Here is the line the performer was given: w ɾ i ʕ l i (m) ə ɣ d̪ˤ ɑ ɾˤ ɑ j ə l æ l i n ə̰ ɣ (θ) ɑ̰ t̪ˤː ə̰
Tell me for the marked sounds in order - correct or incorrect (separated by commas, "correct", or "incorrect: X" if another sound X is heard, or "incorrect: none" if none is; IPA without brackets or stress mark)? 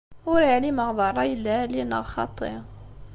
correct, incorrect: x